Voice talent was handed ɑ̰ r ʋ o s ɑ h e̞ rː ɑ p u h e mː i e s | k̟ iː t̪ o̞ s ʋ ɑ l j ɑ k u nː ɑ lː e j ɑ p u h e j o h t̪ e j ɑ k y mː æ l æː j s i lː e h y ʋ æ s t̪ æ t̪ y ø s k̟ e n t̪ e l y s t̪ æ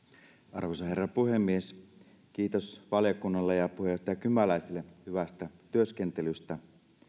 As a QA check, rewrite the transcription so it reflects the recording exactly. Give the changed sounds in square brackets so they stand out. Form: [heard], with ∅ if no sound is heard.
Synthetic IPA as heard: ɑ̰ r ʋ o s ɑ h e̞ rː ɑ p u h e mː i e s | k̟ iː t̪ o̞ s ʋ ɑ l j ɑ k u nː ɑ lː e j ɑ p u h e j o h t̪ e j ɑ k y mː æ l [æ] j s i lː e h y ʋ æ s t̪ æ t̪ y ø s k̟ e n t̪ e l y s t̪ æ